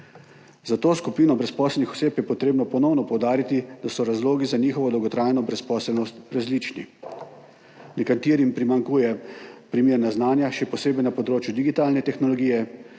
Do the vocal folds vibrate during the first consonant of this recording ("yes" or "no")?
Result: yes